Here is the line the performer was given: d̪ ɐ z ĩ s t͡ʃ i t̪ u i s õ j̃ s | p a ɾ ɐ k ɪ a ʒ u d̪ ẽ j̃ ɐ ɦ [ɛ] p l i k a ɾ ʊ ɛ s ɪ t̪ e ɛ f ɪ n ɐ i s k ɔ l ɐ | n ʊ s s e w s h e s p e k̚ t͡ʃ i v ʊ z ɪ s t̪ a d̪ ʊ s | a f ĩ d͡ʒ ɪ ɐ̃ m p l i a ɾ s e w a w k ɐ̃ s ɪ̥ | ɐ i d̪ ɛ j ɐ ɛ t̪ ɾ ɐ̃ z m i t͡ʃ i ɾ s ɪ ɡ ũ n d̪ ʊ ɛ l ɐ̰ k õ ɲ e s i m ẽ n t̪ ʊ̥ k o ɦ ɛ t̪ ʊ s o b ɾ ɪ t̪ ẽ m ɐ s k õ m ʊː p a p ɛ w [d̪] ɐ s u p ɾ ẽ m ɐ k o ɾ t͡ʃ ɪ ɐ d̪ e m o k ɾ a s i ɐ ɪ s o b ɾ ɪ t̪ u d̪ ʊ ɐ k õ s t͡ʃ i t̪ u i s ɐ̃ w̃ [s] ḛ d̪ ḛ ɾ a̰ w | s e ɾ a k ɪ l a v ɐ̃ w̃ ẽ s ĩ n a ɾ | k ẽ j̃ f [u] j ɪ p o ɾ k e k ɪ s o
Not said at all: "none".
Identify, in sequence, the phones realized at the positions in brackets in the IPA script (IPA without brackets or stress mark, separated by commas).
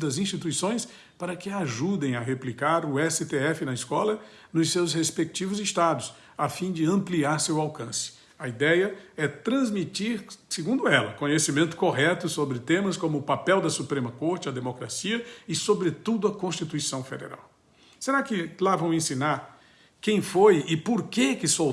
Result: e, d̪, f, o